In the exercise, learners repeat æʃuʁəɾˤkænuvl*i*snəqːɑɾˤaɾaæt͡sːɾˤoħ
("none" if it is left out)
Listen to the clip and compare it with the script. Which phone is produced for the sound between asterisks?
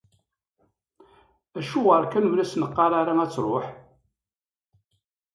æ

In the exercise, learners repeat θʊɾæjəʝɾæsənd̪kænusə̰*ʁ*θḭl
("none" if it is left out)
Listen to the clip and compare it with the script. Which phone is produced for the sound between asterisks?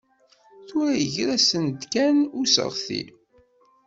ʁ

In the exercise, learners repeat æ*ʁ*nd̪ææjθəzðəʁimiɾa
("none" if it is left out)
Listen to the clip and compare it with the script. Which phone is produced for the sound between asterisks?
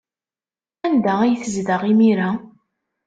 none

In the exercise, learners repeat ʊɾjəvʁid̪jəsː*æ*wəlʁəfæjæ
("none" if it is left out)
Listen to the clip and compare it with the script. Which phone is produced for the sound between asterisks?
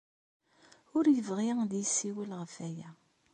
i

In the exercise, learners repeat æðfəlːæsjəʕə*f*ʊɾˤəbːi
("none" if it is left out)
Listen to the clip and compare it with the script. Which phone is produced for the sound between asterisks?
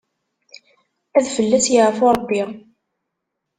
f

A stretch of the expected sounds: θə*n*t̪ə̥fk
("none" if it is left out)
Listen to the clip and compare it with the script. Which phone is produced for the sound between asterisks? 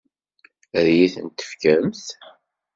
n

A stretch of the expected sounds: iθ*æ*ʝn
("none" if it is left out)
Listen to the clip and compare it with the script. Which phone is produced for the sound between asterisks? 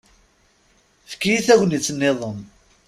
æ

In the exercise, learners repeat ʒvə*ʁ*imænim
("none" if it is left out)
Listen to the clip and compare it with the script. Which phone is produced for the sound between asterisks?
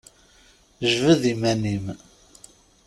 ð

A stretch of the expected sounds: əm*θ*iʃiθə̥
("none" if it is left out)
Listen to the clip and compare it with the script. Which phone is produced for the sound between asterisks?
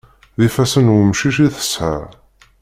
ʃ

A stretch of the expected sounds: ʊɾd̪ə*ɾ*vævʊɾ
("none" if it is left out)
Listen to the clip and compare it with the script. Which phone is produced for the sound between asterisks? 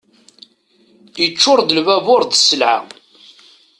l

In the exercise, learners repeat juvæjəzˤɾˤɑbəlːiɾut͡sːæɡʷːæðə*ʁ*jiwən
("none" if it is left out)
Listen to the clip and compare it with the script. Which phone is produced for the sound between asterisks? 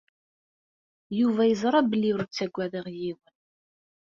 ʁ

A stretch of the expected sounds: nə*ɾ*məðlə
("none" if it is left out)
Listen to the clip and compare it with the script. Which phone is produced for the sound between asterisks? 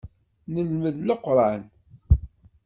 l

